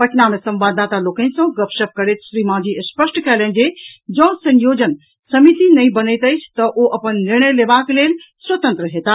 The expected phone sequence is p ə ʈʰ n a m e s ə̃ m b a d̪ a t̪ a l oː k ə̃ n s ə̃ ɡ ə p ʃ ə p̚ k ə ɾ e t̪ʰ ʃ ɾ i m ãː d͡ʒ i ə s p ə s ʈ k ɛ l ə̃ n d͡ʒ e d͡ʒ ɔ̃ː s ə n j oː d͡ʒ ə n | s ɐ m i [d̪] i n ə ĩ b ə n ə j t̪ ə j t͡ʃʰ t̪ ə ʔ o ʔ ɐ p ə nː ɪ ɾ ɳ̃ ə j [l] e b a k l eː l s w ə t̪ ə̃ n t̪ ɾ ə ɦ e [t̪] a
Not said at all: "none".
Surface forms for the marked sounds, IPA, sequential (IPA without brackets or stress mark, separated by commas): t̪, l, t̪